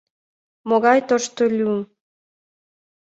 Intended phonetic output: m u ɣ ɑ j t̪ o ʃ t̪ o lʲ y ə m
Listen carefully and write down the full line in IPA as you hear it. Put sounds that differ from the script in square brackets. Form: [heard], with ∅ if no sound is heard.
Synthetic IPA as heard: m [o] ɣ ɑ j t̪ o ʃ t̪ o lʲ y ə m